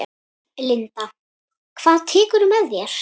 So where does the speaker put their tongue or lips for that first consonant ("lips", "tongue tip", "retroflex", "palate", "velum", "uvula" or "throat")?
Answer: tongue tip